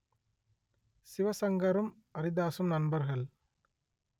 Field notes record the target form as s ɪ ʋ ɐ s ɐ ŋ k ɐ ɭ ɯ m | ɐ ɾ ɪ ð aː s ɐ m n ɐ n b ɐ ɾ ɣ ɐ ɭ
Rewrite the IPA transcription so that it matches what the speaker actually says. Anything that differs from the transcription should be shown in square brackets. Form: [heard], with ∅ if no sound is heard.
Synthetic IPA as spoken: s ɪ ʋ ɐ s ɐ ŋ [ɡ] ɐ [ɾ] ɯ m | ɐ ɾ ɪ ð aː s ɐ m n ɐ n b ɐ ɾ ɣ ɐ ɭ